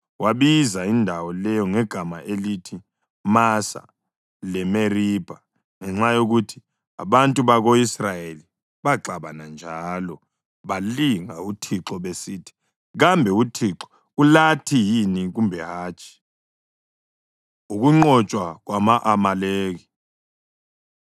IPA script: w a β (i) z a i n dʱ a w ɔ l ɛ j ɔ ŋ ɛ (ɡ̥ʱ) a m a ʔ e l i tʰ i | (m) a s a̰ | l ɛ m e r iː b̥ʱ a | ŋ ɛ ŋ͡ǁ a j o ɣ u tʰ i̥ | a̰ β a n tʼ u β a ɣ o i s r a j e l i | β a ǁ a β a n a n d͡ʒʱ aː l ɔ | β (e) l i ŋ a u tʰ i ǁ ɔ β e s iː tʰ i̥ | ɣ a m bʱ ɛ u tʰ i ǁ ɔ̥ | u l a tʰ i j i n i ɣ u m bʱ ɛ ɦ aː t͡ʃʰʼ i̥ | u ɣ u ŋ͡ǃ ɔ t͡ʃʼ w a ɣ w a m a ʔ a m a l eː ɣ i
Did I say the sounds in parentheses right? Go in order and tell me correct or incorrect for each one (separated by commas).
correct, correct, correct, incorrect